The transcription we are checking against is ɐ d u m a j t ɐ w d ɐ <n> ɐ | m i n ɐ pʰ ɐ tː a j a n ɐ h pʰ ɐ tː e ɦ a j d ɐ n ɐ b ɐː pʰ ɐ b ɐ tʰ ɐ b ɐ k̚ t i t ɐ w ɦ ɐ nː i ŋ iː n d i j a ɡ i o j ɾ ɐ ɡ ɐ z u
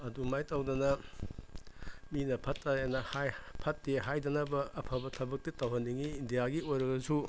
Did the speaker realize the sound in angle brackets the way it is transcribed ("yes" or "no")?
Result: yes